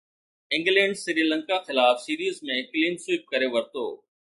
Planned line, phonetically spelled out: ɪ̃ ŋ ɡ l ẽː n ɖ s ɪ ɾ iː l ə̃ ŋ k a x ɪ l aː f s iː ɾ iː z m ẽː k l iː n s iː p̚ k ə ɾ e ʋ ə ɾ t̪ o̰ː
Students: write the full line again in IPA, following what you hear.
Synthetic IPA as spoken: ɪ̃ ŋ ɡ l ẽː ɳ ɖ s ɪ ɾ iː l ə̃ ŋ k a x ɪ l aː f s iː ɾ iː z m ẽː k l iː n s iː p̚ k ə ɾ e ʋ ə ɾ t̪ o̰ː